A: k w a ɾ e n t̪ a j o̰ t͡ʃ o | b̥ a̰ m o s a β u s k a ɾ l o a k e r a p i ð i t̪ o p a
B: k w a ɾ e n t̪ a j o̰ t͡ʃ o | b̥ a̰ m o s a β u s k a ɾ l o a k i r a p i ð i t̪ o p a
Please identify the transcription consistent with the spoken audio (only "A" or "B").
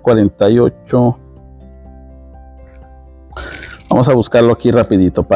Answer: B